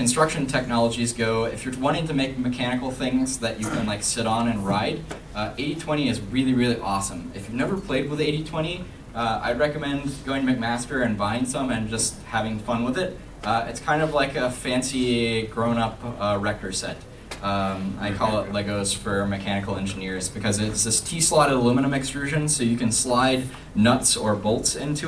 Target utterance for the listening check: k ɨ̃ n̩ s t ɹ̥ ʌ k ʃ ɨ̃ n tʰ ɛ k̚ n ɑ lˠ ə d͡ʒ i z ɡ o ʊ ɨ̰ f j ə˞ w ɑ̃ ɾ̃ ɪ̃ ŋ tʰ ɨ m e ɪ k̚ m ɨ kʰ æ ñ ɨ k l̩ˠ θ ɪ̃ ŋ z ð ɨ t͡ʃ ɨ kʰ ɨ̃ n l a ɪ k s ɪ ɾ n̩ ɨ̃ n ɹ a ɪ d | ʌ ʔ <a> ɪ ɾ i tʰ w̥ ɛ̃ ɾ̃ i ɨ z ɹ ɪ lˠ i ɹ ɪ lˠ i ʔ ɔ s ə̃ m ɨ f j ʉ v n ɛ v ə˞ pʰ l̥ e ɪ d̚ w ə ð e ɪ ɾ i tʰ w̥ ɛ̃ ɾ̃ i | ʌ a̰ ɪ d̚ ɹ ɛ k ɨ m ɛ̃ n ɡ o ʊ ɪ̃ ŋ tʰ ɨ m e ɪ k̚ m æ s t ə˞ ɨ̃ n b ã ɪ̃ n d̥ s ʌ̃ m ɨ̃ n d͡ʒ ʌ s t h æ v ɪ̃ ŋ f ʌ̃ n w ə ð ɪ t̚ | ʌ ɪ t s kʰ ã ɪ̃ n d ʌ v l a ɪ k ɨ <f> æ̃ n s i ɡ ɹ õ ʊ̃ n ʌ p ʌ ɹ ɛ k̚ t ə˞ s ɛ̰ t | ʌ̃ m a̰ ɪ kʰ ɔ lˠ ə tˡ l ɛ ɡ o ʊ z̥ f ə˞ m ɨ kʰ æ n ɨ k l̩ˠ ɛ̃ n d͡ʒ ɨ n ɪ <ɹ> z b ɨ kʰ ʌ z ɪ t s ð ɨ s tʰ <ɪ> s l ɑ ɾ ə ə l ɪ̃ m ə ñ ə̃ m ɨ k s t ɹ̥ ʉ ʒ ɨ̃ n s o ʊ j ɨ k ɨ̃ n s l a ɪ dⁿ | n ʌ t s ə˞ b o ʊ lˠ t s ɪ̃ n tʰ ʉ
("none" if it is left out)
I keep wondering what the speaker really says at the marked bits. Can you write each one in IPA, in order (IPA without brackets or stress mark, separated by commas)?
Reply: e, f, ɹ, i